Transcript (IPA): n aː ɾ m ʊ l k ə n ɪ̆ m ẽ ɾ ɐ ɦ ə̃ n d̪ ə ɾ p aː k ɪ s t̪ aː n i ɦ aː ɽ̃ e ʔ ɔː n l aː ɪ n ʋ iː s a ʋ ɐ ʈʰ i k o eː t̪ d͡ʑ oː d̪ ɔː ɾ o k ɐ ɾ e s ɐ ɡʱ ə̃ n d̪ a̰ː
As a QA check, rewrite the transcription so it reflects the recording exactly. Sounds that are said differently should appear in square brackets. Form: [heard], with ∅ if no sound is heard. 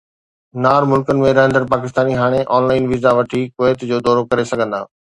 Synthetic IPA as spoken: n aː ɾ m ʊ l k ə n ɪ̆ m ẽ ɾ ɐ ɦ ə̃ n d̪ ə ɾ p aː k ɪ s t̪ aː n i ɦ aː ɽ̃ e ʔ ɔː n l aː ɪ n ʋ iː [z] a ʋ ɐ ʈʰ i k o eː t̪ d͡ʑ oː d̪ ɔː ɾ o k ɐ ɾ e s ɐ ɡʱ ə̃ n d̪ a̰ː